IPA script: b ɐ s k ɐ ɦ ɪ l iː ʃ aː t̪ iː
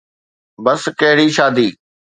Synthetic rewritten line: b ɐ s k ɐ ɦ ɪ ɽ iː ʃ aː d̪ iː

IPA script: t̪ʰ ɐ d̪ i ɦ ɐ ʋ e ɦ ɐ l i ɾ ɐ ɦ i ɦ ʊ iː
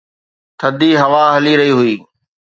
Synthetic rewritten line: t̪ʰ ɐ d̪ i ɦ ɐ ʋ a ɦ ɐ l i ɾ ɐ ɦ i ɦ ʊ iː

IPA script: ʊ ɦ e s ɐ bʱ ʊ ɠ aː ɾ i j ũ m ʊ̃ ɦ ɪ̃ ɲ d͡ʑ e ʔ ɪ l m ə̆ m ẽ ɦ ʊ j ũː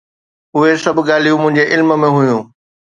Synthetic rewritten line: ʊ ɦ e s ɐ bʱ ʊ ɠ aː l i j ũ m ʊ̃ ɦ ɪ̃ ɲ d͡ʑ e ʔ ɪ l m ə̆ m ẽ ɦ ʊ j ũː

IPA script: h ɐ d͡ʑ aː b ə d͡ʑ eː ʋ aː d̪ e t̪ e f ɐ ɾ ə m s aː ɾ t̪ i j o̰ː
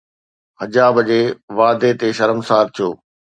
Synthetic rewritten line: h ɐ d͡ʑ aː b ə d͡ʑ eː ʋ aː d̪ e t̪ e ʃ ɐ ɾ ə m s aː ɾ t̪ʰ i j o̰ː

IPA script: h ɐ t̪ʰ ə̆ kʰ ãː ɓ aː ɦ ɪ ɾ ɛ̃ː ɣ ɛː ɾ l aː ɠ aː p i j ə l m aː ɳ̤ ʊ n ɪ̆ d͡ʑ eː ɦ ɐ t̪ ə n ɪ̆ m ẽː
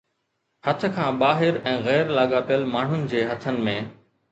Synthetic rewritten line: h ɐ t̪ʰ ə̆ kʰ ãː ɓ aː ɦ ɪ ɾ ɛ̃ː ɣ ɛː ɾ l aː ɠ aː p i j ə l m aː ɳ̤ ʊ n ɪ̆ d͡ʑ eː ɦ ɐ t̪ʰ ə n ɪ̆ m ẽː

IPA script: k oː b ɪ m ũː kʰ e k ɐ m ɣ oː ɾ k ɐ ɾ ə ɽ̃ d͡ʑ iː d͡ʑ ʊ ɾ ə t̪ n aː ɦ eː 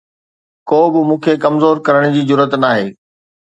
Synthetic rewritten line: k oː b ɪ m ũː kʰ e k ɐ m z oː ɾ k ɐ ɾ ə ɽ̃ d͡ʑ iː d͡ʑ ʊ ɾ ə t̪ n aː ɦ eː

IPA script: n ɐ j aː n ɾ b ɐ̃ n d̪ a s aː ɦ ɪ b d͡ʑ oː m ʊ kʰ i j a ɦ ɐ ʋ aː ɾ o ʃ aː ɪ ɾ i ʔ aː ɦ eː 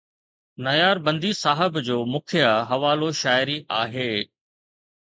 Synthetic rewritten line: n ɐ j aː ɾ b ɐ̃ n d̪ i s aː ɦ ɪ b d͡ʑ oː m ʊ kʰ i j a ɦ ɐ ʋ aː l o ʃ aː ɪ ɾ i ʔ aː ɦ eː

